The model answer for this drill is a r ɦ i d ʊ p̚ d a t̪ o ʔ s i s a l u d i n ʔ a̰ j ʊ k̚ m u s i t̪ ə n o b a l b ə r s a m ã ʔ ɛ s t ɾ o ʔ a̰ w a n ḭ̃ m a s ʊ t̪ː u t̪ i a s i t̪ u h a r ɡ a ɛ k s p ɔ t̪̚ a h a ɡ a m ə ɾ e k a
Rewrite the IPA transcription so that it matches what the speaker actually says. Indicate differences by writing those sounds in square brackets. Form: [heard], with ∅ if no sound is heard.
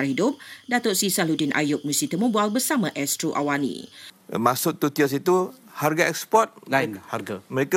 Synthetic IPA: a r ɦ i d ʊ p̚ d a t̪ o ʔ s i s a l u d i n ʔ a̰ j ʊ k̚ m u s i t̪ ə [m] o b a l b ə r s a m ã ʔ ɛ s t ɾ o ʔ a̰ w a n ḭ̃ m a s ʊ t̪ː u t̪ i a s i t̪ u h a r ɡ a ɛ k s p ɔ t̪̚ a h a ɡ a m ə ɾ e k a